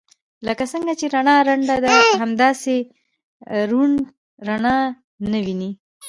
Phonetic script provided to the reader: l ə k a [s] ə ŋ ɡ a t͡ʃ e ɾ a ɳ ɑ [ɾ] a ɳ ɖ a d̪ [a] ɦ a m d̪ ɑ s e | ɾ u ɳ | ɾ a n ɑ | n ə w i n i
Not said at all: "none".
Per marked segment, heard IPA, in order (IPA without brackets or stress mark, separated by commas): s, ɾ, a